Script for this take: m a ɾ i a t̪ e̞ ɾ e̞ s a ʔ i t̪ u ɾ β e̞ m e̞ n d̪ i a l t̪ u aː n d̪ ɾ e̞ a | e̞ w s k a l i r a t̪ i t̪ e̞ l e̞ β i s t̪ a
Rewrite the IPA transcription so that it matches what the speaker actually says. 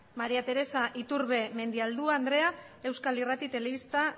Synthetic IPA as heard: m a ɾ i a t̪ e̞ ɾ e̞ s a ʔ i t̪ u ɾ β e̞ m e̞ n d̪ i a l d̪ u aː n d̪ ɾ e̞ a | e̞ w s k a l i r a t̪ i t̪ e̞ l e̞ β i s t̪ a